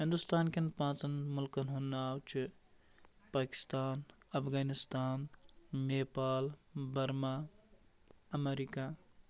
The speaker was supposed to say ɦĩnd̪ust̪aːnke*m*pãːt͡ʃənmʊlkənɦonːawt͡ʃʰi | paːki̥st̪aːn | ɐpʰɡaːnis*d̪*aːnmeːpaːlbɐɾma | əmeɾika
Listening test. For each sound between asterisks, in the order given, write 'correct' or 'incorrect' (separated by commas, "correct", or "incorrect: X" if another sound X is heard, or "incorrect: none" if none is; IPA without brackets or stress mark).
incorrect: n, incorrect: t̪